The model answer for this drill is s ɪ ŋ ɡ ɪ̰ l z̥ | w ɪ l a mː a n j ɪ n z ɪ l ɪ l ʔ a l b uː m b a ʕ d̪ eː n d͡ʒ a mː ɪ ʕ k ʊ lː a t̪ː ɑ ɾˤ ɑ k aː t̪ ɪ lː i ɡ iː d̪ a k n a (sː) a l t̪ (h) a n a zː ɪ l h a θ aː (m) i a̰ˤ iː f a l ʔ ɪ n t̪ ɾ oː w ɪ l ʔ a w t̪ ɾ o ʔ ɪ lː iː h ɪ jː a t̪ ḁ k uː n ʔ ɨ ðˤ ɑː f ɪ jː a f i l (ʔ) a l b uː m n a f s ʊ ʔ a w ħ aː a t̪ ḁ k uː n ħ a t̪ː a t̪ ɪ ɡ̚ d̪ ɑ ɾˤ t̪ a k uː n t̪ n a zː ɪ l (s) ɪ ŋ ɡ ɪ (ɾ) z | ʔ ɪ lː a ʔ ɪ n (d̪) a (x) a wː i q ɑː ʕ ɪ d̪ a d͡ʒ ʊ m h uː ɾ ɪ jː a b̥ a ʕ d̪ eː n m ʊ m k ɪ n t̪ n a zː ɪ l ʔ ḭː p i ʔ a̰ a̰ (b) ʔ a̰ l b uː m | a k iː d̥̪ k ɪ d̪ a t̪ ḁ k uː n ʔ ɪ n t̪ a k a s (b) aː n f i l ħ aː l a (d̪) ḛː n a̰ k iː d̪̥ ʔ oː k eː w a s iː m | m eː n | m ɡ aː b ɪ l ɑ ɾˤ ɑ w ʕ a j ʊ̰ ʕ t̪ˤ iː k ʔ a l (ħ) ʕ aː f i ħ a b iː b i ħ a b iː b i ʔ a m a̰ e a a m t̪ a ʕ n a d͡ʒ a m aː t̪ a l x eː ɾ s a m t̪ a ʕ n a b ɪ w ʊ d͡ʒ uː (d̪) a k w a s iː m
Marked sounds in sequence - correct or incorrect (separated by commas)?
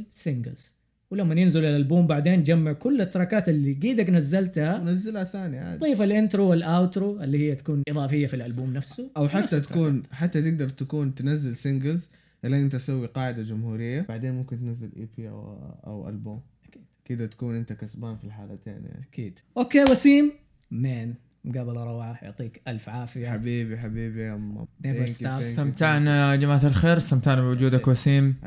incorrect, correct, incorrect, correct, correct, incorrect, incorrect, incorrect, incorrect, correct, incorrect, incorrect, correct